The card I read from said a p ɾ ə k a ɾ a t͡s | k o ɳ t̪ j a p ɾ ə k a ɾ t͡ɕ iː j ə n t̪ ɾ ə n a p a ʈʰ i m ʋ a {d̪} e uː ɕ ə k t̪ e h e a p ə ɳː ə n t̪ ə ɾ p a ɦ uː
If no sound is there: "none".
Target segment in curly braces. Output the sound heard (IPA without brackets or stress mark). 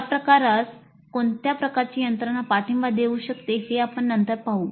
d̪